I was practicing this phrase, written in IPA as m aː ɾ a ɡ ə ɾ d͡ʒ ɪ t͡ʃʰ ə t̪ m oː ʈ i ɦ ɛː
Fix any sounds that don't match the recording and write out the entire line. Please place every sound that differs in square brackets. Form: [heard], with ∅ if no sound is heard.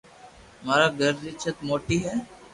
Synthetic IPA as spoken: m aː ɾ a ɡ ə ɾ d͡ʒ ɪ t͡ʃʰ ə t̪ m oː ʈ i ɦ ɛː